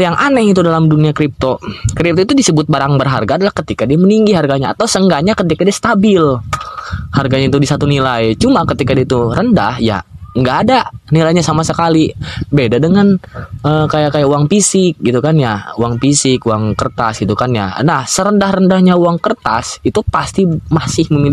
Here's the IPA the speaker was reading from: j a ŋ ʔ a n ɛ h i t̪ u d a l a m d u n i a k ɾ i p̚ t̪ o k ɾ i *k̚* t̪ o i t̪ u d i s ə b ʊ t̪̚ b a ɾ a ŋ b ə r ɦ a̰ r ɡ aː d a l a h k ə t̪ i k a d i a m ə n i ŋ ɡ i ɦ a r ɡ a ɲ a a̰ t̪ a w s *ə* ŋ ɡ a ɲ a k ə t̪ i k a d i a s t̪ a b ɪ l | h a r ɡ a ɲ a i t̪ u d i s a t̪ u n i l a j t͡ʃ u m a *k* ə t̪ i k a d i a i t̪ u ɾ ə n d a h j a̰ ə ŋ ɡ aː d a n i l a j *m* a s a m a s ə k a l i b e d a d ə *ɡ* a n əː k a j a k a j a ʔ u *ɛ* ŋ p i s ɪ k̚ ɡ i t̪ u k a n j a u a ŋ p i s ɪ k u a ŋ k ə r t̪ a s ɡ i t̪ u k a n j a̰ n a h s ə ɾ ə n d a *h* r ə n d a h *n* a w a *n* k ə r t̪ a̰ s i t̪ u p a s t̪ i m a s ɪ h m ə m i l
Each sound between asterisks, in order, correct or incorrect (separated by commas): incorrect, correct, correct, incorrect, incorrect, incorrect, correct, incorrect, incorrect